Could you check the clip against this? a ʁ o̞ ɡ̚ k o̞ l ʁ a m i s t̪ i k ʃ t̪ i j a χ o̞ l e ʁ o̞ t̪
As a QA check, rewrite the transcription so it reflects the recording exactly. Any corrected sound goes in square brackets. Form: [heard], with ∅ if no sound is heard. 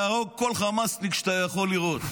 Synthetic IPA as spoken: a ʁ o̞ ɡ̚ k o̞ l [χ] a m [a] s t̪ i k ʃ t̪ [a] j a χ o̞ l [i] ʁ o̞ t̪